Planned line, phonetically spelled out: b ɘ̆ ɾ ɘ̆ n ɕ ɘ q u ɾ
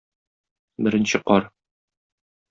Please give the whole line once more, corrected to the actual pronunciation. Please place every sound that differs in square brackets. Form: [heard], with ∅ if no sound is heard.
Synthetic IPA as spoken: b ɘ̆ ɾ ɘ̆ n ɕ ɘ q [ɒ] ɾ